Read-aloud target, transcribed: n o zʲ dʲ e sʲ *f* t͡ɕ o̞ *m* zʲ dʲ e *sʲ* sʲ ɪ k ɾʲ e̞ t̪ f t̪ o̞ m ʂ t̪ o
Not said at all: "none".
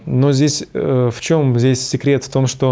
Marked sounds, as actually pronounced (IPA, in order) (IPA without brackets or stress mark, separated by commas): f, m, sʲ